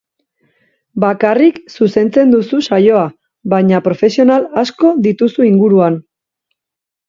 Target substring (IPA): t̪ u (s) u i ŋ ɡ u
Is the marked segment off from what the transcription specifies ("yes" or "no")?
no